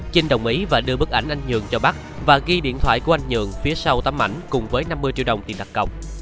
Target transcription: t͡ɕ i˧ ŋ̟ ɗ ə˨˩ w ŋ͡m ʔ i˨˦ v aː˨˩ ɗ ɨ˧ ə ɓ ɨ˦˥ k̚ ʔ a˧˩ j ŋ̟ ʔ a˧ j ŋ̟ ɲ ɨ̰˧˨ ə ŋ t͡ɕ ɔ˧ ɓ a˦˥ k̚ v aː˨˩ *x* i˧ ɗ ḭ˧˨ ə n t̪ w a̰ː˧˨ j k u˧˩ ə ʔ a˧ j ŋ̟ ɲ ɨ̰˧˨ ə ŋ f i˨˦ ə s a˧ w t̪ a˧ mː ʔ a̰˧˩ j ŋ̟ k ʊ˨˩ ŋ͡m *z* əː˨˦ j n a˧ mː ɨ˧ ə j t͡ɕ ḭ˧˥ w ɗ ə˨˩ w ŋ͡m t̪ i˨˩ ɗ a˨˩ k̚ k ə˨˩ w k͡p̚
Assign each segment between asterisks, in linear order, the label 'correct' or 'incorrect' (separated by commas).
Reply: incorrect, incorrect